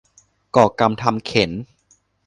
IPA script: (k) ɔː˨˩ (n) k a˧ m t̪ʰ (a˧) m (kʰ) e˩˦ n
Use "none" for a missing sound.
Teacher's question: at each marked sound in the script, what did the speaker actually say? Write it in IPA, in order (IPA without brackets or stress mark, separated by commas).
k, none, a˧, kʰ